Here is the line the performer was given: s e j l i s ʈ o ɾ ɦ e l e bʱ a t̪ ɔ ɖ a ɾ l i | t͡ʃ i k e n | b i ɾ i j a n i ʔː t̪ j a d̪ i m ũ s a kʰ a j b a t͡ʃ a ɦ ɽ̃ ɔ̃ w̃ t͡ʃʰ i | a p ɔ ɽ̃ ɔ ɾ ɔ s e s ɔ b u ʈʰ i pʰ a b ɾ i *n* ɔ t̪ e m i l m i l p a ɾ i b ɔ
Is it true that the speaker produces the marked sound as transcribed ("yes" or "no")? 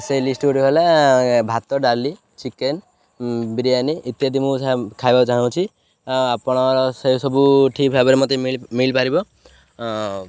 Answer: no